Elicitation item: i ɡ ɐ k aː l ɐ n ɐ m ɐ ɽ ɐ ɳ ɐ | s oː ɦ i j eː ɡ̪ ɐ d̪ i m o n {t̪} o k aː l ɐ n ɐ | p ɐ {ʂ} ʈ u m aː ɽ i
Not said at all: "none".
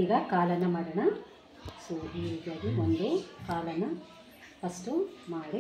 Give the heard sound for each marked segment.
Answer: d̪, s

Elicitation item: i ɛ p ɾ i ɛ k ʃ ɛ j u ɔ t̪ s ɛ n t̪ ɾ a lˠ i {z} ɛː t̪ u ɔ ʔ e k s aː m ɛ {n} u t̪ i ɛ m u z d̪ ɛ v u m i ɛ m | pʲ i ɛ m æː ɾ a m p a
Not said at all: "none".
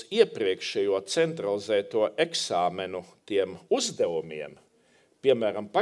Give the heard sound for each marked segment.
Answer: z, n

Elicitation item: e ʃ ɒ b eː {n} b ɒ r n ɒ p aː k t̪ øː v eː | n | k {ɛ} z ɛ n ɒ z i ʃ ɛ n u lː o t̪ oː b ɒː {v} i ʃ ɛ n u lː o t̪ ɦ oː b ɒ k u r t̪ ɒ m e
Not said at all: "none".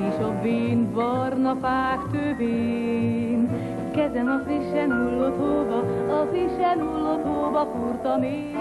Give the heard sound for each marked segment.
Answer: n, ɛ, z

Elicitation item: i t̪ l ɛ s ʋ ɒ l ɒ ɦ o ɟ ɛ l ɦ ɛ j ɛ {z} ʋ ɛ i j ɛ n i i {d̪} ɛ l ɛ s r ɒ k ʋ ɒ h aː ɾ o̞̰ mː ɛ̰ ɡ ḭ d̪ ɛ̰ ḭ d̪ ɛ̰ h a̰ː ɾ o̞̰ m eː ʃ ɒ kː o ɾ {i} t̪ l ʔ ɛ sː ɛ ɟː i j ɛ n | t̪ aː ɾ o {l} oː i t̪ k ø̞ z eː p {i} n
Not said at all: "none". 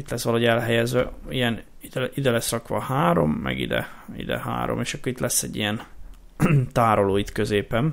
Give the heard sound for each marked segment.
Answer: z, d̪, i, l, ɛ

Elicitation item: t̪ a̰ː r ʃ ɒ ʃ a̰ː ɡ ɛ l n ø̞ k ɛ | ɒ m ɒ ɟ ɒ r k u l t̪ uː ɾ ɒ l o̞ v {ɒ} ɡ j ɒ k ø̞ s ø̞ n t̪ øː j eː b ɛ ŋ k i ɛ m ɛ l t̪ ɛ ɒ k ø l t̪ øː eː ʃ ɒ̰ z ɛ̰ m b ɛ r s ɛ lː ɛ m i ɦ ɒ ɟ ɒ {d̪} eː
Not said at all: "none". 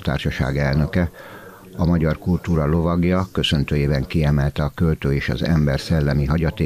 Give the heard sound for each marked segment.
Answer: ɒ, t̪

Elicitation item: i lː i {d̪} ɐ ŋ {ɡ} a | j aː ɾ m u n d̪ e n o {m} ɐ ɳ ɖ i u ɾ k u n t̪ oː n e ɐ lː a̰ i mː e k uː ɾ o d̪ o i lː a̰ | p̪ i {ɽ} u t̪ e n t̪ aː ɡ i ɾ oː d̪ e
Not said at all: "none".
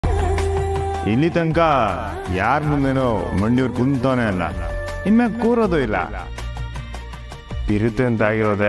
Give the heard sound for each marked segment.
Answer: t̪, k, m, ɾ

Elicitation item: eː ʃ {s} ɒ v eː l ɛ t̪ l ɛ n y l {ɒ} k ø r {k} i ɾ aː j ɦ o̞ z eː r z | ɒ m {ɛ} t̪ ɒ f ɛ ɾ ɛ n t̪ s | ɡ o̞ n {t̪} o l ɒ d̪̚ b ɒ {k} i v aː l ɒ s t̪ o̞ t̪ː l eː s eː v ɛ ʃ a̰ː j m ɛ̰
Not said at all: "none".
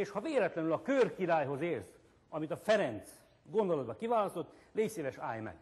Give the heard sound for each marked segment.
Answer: h, ɒ, k, i, d̪, k

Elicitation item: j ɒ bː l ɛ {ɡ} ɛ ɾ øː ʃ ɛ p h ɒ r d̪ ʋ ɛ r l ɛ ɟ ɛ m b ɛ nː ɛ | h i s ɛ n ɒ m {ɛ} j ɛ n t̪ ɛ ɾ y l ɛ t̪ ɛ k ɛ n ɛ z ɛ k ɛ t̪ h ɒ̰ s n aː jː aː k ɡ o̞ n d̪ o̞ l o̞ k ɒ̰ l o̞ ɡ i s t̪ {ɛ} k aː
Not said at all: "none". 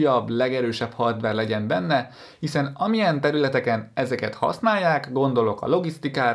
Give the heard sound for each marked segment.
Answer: ɡ, i, i

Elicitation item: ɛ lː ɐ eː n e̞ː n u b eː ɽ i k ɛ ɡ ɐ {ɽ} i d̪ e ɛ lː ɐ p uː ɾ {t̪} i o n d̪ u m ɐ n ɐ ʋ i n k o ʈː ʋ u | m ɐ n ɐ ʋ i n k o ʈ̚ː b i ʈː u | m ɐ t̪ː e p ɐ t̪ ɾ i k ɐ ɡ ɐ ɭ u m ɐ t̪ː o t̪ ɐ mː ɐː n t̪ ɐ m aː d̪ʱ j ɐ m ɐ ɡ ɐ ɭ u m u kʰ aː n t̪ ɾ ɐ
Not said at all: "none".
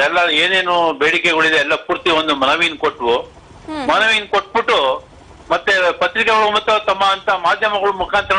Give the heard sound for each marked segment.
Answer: ɭ, t̪

